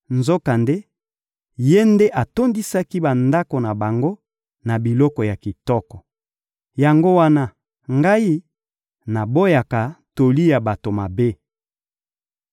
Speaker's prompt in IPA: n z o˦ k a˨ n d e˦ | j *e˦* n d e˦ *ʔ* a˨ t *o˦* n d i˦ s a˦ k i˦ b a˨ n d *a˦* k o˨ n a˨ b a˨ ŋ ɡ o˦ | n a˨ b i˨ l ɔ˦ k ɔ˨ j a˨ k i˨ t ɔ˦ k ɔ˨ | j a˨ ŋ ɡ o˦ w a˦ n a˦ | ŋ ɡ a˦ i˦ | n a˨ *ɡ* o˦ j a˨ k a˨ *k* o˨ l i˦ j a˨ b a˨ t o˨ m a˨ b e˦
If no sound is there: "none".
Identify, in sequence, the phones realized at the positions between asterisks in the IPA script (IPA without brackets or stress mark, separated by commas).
e˦, ʔ, o˦, a˦, b, t